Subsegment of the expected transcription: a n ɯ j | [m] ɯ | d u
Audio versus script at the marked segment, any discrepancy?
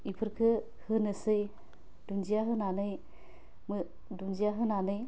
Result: no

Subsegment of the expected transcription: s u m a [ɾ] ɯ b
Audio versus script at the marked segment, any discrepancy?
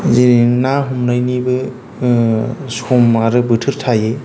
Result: no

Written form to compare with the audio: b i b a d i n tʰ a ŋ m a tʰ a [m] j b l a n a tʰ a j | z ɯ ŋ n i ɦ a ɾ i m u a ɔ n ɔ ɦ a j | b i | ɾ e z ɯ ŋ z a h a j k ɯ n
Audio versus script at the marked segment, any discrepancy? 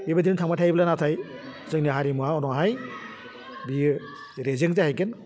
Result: yes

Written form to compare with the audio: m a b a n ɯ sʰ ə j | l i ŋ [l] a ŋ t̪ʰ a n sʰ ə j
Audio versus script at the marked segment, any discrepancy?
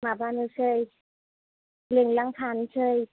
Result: no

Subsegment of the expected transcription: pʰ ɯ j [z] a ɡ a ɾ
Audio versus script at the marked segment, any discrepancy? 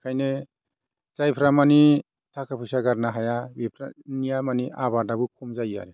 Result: yes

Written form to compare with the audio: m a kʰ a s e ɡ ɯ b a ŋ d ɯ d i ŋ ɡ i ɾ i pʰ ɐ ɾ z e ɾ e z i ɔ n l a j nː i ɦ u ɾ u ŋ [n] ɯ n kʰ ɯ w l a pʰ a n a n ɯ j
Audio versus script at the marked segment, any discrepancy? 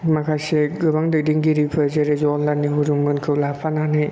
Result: yes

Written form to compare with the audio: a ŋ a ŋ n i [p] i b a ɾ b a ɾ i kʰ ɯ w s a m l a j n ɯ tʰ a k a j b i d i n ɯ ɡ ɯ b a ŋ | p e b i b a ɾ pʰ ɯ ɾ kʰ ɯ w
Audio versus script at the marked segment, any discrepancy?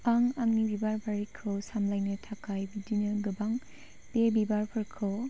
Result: yes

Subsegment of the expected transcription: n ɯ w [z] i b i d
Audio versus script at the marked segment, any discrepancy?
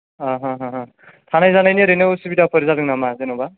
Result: yes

